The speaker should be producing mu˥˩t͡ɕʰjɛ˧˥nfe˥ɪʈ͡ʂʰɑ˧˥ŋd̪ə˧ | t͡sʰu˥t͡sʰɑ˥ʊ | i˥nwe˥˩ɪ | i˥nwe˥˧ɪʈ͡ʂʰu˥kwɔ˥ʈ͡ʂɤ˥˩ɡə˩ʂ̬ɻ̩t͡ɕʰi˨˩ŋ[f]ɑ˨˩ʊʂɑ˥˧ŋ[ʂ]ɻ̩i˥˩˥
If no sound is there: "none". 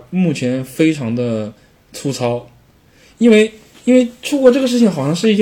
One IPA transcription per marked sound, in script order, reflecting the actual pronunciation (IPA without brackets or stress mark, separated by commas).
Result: x, ʂ